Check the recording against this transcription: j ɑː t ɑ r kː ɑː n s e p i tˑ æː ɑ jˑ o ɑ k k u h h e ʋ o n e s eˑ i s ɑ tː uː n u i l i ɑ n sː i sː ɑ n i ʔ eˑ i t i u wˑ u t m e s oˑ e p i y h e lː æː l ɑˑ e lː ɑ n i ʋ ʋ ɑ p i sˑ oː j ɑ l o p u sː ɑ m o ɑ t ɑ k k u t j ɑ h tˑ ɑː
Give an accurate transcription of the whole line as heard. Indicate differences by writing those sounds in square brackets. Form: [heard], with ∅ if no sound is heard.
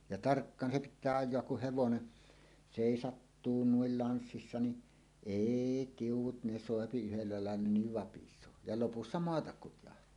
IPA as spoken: j [ɑ] t ɑ r kː ɑː n s e p i tˑ æː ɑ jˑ o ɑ k k u h h e ʋ o n e s eˑ i s ɑ tː uː n u i l i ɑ n sː i sː ɑ n i ʔ eˑ i t i u wˑ u t [n] e s oˑ e p i y h e lː [æ] l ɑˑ e lː ɑ n i ʋ ʋ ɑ p i sˑ oː j ɑ l o p u sː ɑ m o ɑ t ɑ k k u t j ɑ h tˑ ɑː